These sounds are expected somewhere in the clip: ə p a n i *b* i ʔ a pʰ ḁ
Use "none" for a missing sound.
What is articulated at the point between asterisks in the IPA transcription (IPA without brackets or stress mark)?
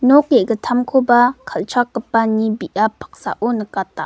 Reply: b